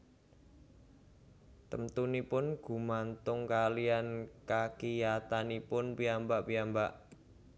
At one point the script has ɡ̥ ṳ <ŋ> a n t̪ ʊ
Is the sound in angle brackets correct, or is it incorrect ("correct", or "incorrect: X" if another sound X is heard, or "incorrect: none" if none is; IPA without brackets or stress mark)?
incorrect: m